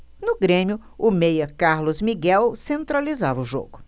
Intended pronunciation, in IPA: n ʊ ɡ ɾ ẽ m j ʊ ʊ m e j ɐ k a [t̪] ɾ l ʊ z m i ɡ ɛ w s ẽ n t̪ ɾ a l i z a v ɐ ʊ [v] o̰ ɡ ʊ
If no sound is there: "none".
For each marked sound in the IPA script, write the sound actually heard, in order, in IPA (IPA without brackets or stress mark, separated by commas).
none, ʒ